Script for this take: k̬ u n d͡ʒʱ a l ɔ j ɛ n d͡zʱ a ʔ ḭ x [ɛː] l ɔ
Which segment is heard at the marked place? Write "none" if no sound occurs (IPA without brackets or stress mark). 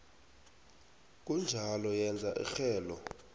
ɛː